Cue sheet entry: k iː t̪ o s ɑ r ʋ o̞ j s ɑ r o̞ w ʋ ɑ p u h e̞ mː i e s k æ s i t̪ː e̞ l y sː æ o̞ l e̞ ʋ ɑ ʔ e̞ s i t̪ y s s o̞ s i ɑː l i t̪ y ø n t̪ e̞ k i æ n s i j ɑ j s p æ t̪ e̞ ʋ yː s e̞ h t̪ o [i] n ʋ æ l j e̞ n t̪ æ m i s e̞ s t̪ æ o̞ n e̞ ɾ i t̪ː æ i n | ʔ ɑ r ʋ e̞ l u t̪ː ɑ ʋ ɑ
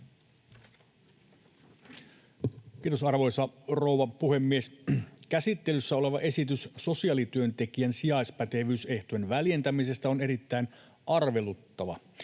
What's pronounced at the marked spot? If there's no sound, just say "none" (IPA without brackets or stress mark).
e